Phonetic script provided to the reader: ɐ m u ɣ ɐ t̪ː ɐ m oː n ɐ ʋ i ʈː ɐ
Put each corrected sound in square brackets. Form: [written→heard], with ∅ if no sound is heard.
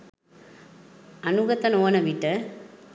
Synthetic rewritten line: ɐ [m→n] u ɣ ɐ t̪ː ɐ [m→n] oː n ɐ ʋ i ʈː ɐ